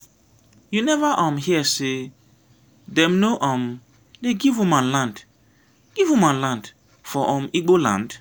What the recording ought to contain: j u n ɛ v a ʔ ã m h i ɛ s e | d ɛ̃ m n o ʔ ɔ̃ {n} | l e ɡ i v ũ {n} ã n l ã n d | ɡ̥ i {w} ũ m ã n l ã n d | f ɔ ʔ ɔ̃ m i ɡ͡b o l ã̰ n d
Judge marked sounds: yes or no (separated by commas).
no, no, no